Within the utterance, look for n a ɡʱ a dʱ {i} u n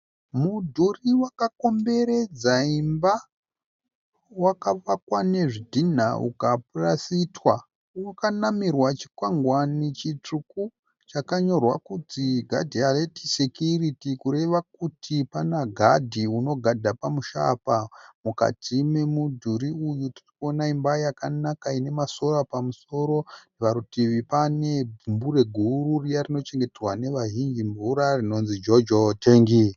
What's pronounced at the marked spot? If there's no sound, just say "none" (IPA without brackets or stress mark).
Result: i